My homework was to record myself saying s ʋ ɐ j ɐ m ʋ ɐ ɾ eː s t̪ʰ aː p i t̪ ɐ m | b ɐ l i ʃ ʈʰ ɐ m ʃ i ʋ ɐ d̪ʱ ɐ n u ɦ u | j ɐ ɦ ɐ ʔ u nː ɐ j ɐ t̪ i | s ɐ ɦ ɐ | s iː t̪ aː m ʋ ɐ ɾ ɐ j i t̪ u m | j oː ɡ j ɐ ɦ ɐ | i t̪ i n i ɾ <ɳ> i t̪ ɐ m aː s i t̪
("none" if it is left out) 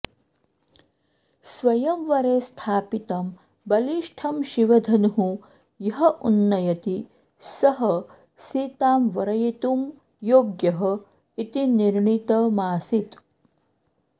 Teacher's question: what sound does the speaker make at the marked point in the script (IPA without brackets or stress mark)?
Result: ɳ